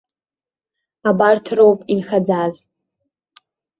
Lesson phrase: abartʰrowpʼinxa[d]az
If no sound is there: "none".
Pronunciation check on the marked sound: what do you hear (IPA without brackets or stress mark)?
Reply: d͡z